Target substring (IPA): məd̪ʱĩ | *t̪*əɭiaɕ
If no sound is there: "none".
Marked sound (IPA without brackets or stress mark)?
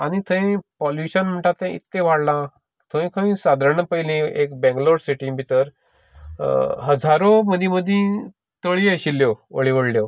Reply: t̪